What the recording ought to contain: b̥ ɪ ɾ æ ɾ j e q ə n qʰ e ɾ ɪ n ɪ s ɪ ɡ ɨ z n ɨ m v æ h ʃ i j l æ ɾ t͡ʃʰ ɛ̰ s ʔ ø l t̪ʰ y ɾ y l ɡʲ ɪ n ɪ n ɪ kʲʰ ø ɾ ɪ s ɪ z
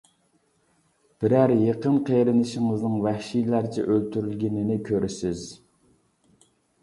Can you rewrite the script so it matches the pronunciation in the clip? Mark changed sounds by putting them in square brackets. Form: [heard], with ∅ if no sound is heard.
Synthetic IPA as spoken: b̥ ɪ ɾ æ ɾ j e q ə n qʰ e ɾ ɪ n ɪ [ʃ] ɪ [ŋ] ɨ z n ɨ [ŋ] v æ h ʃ i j l æ ɾ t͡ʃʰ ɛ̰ [∅] ʔ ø l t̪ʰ y ɾ y l ɡʲ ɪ n ɪ n ɪ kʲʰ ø ɾ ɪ s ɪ z